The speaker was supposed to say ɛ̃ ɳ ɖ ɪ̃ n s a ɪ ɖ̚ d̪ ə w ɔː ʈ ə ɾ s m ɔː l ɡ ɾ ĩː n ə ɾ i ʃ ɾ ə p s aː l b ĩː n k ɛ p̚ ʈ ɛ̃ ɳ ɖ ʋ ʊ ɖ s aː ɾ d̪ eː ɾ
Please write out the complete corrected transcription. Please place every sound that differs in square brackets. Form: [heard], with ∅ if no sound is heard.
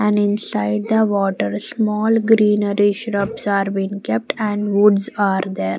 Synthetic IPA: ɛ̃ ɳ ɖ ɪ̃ n s a ɪ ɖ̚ d̪ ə [ʋ] ɔː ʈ ə ɾ s m ɔː l ɡ ɾ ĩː n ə ɾ i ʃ ɾ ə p s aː [ɾ] b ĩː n k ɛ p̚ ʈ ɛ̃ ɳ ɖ ʋ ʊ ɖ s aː ɾ d̪ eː ɾ